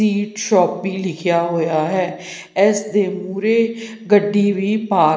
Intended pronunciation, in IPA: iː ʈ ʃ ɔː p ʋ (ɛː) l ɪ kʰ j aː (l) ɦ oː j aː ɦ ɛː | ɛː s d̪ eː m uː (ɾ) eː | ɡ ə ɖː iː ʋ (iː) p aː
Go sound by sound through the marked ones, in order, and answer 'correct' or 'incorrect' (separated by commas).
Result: incorrect, incorrect, correct, correct